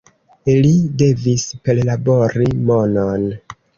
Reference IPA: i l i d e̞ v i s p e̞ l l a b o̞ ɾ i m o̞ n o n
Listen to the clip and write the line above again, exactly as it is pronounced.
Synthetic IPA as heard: i l i d e̞ v i s p e̞ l l a b o̞ ɾ i m o̞ n o n